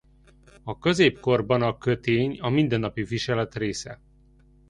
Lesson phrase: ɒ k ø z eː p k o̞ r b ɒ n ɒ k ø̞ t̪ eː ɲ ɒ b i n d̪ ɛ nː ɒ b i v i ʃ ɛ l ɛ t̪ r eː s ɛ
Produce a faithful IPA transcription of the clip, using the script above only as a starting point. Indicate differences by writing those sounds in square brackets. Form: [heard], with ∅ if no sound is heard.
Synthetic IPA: ɒ k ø z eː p k o̞ r b ɒ n ɒ k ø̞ t̪ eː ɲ ɒ [m] i n d̪ ɛ nː ɒ [p] i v i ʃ ɛ l ɛ t̪ r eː s ɛ